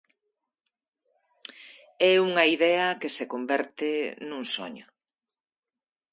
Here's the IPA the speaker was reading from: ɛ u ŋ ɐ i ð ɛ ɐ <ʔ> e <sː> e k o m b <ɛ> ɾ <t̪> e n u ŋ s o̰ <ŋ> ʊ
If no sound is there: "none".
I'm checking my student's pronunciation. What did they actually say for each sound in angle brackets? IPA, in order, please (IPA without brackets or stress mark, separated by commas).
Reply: k, s, ɛ, t̪, ɲ